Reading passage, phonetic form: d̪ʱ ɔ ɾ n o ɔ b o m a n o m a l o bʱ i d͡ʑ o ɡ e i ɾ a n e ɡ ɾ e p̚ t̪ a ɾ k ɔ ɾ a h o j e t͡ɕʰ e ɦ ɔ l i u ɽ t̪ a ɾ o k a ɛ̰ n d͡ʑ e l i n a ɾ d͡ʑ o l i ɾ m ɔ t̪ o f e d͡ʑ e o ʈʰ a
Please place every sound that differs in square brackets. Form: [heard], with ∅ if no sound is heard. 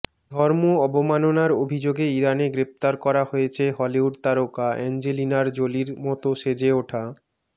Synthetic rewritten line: d̪ʱ ɔ ɾ [m] o ɔ b o m a n o [n] a [ɾ] o bʱ i d͡ʑ o ɡ e i ɾ a n e ɡ ɾ e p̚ t̪ a ɾ k ɔ ɾ a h o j e t͡ɕʰ e ɦ ɔ l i u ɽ t̪ a ɾ o k a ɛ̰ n d͡ʑ e l i n a ɾ d͡ʑ o l i ɾ m ɔ t̪ o [ʃ] e d͡ʑ e o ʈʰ a